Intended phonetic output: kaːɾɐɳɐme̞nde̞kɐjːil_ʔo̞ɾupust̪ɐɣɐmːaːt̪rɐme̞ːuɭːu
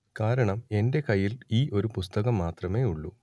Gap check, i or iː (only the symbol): iː